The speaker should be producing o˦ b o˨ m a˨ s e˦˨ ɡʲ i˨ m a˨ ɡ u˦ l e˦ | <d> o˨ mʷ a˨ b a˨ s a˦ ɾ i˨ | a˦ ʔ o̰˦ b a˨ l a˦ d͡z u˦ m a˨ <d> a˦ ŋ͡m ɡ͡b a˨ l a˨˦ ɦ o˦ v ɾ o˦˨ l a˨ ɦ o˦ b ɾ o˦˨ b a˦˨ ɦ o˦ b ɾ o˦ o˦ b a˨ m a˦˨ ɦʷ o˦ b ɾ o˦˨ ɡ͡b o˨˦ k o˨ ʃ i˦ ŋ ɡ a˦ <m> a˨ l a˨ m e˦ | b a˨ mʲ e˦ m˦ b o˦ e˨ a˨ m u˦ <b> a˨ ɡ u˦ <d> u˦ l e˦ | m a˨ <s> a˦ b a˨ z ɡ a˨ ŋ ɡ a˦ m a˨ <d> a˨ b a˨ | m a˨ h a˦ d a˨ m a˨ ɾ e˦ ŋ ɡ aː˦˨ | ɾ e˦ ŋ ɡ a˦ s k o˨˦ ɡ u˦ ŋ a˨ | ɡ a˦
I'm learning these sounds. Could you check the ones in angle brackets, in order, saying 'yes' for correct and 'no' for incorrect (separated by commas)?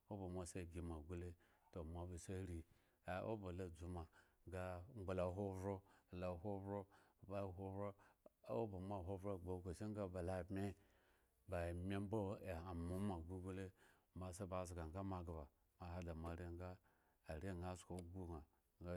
no, no, no, no, no, yes, no